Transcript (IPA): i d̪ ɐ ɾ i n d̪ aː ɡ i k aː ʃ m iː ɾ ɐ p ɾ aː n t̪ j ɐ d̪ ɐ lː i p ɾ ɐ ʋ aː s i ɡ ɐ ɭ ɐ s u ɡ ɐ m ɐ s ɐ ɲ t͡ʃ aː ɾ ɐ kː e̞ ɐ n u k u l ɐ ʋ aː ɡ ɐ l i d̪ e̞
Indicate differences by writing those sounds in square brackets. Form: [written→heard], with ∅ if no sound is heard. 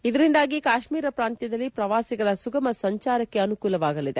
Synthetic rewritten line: i d̪ ɐ ɾ i n d̪ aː ɡ i k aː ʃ m iː ɾ ɐ p ɾ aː n t̪ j ɐ d̪ ɐ lː i p ɾ ɐ ʋ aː s i ɡ ɐ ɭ ɐ s u ɡ ɐ m ɐ s ɐ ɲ t͡ʃ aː ɾ ɐ kː e̞ ɐ n u k [u→uː] l ɐ ʋ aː ɡ ɐ l i d̪ e̞